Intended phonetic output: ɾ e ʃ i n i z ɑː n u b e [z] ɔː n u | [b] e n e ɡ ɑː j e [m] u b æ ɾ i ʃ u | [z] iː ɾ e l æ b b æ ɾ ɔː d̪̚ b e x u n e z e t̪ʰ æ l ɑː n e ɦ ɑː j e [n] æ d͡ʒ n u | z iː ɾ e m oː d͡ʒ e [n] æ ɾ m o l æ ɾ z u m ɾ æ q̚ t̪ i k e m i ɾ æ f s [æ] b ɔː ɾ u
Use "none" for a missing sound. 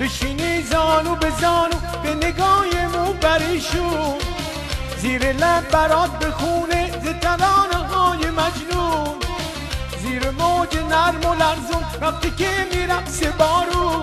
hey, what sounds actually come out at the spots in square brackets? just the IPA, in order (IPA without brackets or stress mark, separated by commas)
z, b, m, z, m, n, e